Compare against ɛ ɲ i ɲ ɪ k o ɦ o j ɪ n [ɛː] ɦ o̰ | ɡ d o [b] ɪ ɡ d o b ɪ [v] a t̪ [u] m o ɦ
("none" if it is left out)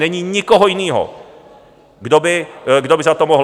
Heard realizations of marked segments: iː, b, z, o

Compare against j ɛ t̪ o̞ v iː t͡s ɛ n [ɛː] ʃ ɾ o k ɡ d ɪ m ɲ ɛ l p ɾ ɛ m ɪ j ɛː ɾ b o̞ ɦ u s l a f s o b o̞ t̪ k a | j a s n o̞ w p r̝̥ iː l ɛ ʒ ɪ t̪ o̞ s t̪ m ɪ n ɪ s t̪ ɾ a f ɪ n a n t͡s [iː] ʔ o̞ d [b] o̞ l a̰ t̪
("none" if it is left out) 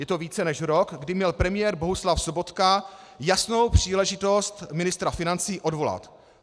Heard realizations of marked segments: ɛ, iː, v

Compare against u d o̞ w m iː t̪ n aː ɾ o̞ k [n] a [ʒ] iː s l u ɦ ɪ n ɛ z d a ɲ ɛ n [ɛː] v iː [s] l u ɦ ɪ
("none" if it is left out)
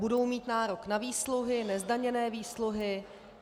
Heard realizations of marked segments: n, v, ɛː, s

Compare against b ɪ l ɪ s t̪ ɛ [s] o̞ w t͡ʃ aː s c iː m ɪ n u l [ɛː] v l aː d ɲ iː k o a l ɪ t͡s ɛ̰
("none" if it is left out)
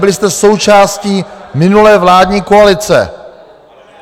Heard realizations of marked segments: s, ɛː

